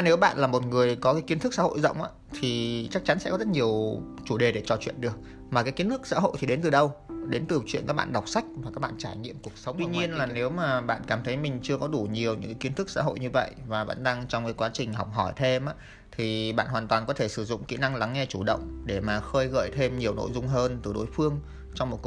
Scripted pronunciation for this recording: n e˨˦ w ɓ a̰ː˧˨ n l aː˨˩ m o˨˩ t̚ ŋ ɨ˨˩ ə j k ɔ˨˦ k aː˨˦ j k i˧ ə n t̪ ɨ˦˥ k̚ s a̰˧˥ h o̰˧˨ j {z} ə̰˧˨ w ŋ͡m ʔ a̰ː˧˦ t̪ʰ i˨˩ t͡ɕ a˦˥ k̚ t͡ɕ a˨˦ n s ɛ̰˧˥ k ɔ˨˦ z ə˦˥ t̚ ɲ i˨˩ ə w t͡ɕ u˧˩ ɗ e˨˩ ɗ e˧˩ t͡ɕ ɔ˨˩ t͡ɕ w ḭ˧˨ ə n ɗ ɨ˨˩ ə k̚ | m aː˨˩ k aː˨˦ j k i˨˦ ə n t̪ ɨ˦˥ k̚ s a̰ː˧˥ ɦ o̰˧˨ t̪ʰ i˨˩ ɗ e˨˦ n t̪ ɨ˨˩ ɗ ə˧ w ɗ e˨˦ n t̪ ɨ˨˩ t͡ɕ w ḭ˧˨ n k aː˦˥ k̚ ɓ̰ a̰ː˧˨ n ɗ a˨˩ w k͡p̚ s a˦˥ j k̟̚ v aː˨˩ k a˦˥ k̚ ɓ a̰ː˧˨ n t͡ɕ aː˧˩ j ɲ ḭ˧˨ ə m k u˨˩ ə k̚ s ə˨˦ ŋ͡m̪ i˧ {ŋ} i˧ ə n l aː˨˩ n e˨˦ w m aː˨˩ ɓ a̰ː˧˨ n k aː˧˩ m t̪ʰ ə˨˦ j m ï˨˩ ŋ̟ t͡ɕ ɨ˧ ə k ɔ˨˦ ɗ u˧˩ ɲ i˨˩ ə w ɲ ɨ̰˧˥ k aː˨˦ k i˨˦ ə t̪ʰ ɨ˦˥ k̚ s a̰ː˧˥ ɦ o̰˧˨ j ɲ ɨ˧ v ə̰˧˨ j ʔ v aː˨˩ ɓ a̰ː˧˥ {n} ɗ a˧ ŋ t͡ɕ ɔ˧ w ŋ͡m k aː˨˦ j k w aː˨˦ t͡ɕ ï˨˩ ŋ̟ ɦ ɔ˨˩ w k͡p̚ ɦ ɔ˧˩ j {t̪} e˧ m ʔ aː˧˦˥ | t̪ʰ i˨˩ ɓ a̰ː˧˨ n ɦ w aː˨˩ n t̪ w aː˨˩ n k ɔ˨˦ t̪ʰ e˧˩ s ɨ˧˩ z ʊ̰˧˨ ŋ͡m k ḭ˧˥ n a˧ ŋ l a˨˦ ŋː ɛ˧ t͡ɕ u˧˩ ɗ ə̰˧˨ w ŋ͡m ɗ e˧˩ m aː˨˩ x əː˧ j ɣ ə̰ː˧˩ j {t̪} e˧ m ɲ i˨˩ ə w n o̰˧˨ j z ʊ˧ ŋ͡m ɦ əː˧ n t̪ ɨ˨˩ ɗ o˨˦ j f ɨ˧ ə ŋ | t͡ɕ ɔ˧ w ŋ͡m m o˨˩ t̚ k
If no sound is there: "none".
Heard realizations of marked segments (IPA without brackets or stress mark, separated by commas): z, ɲ, n, t̪ʰ, t̪ʰ